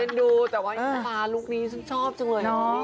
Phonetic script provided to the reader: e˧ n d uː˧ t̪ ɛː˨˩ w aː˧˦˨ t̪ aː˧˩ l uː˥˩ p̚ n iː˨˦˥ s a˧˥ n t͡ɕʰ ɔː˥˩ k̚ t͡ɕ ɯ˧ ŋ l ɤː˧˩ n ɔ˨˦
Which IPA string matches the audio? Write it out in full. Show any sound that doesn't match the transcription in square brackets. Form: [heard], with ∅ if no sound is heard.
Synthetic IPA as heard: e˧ n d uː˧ t̪ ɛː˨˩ w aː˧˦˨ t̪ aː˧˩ l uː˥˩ [k̚] n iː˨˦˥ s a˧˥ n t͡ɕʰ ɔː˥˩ [p̚] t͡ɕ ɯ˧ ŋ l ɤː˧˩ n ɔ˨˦

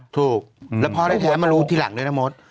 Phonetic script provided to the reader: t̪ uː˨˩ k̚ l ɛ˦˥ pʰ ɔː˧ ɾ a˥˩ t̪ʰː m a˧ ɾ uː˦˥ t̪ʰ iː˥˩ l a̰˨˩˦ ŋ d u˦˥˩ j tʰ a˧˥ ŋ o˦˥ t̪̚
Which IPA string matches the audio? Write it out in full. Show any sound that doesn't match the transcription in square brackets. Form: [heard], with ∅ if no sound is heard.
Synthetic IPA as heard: [t̪ʰ] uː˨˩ k̚ l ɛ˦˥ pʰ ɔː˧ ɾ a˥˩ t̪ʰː m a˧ ɾ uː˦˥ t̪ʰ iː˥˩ l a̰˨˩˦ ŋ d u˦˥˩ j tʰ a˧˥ [m] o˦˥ t̪̚

